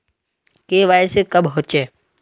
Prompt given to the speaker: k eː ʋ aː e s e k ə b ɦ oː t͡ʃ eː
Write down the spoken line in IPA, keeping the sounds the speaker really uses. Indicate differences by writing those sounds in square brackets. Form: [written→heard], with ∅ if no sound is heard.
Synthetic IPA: k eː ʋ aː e s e k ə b ɦ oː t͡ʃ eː